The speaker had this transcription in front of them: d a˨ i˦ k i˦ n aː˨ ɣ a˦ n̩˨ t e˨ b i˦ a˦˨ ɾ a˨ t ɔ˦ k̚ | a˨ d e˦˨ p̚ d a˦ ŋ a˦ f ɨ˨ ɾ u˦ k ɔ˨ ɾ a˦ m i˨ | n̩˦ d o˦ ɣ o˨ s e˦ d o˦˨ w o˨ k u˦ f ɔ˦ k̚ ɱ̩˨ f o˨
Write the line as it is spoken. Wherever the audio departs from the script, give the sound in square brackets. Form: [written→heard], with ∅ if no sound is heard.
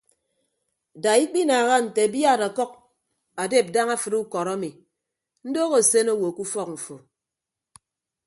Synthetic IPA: d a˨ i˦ [k→k͡p] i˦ n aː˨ ɣ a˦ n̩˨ t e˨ b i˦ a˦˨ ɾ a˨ [t→k] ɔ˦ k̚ | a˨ d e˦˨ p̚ d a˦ ŋ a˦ f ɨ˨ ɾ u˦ k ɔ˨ ɾ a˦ m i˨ | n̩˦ d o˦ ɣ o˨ s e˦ [d→n] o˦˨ w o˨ k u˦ f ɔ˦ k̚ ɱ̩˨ f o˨